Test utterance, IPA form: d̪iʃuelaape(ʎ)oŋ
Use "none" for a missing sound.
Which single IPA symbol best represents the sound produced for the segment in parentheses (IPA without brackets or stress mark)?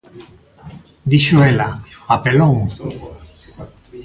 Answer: l